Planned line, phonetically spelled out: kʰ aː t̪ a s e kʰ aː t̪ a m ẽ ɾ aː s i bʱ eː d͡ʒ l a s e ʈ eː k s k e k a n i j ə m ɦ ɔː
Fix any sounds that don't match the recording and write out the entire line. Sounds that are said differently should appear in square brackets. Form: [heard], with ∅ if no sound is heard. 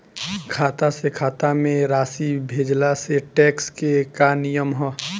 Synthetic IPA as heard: kʰ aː t̪ a s e kʰ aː t̪ a m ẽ ɾ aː s i bʱ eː d͡ʒ l a s e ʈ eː k s k e k a n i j ə m ɦ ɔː